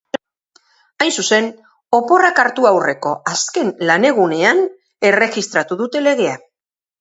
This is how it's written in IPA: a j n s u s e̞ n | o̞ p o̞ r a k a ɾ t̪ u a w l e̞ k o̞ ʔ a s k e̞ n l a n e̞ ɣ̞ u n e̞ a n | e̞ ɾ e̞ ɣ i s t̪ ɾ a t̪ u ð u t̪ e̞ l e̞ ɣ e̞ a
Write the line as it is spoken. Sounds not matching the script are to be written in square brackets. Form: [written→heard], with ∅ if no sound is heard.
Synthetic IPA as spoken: a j n s u s e̞ n | o̞ p o̞ r a k a ɾ t̪ u a w [l→r] e̞ k o̞ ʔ a s k e̞ n l a n e̞ ɣ̞ u n e̞ a n | e̞ [ɾ→r] e̞ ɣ i s t̪ ɾ a t̪ u ð u t̪ e̞ l e̞ ɣ e̞ a